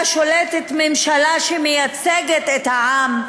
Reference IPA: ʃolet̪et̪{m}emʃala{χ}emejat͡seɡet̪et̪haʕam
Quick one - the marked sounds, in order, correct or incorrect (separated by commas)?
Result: correct, incorrect